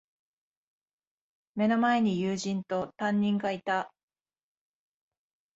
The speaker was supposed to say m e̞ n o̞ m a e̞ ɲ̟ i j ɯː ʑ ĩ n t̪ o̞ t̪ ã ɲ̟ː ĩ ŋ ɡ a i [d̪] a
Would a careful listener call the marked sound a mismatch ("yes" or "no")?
yes